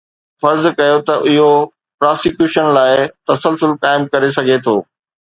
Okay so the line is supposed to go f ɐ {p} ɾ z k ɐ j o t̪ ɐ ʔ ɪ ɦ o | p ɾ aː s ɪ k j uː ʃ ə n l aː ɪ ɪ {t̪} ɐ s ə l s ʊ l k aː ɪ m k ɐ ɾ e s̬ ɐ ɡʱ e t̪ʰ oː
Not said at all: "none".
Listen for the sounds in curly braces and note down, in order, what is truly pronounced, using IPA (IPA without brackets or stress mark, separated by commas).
none, t̪